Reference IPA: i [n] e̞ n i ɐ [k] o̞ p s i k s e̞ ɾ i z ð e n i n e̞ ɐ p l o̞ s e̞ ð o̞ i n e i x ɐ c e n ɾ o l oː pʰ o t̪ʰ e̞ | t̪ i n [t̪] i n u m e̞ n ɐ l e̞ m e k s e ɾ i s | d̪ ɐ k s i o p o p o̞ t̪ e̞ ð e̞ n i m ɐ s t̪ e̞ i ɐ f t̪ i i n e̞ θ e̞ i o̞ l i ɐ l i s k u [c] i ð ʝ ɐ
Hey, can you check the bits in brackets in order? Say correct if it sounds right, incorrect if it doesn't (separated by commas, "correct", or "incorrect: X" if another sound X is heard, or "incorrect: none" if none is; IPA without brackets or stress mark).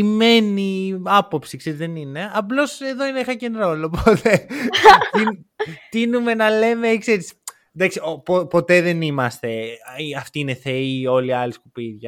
incorrect: m, incorrect: p, correct, incorrect: p